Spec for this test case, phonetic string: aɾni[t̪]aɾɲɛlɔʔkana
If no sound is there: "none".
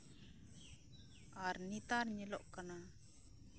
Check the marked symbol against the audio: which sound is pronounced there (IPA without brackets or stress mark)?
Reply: t̪